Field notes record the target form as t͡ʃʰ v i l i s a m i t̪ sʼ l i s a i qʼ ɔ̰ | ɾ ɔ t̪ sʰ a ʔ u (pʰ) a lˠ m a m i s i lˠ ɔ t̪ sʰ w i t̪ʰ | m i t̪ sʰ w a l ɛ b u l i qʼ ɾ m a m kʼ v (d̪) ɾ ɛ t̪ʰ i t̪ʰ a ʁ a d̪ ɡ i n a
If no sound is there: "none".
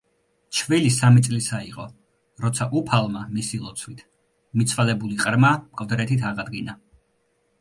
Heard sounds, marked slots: pʰ, d̪

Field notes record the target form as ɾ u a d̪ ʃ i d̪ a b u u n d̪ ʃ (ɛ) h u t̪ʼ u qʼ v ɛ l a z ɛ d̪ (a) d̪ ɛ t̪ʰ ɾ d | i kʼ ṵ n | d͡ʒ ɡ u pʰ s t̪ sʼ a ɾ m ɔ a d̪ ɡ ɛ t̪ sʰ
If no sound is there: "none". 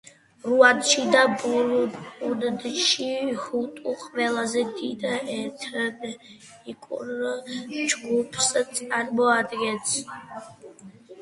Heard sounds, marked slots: i, i

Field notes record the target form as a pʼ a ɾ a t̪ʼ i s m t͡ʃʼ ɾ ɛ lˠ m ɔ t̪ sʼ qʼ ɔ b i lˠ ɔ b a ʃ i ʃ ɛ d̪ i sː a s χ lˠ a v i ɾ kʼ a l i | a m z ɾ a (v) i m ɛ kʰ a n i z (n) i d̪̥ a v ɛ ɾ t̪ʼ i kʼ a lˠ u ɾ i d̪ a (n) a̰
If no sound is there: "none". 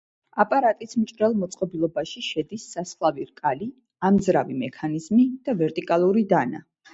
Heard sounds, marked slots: v, m, n

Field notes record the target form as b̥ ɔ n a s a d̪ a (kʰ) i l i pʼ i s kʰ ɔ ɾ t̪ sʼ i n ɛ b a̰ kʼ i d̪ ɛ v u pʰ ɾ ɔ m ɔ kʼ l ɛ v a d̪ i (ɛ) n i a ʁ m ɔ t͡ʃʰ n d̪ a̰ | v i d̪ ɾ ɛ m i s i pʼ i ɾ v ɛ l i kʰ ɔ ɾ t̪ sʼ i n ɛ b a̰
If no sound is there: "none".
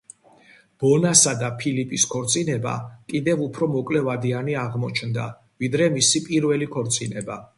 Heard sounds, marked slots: pʰ, a

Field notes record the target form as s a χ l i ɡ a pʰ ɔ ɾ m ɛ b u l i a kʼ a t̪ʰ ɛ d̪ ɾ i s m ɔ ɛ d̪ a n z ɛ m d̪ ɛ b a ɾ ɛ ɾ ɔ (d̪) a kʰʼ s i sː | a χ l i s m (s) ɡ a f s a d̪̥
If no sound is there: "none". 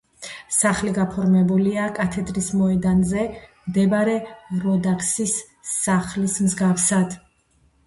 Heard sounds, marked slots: d̪, z

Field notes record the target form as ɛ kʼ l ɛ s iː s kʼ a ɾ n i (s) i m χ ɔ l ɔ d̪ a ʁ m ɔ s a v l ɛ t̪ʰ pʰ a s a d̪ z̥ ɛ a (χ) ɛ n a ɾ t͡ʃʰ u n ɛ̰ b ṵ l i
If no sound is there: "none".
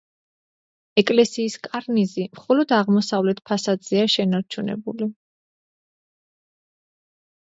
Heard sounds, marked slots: z, ʃ

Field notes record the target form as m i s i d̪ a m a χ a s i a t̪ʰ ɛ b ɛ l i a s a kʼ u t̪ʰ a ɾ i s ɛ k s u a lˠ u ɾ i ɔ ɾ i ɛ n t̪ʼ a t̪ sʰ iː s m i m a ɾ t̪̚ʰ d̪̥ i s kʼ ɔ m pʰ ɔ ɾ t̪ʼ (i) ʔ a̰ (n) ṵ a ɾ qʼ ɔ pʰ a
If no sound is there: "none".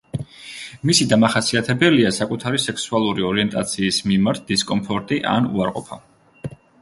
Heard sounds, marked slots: i, n

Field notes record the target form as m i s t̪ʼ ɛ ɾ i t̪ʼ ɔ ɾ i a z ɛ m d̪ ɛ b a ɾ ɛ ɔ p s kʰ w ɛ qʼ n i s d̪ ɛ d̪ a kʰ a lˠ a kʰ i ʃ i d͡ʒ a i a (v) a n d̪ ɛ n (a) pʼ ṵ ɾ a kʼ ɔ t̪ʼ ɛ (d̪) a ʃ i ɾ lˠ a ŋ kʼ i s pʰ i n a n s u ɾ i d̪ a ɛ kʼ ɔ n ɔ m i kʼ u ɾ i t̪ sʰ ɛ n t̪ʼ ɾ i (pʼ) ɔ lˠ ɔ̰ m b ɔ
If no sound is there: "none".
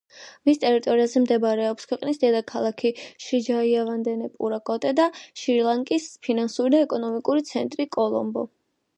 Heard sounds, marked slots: v, ɛ, d̪, kʼ

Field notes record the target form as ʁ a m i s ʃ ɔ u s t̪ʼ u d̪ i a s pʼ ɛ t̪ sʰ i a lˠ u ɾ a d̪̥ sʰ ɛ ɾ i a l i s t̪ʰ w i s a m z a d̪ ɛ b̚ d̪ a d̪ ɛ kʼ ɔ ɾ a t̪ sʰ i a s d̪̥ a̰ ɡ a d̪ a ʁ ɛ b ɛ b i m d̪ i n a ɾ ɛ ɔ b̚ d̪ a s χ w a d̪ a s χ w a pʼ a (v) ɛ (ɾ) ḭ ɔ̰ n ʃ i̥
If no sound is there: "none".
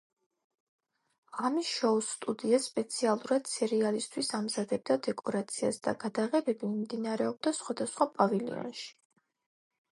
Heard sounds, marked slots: v, l

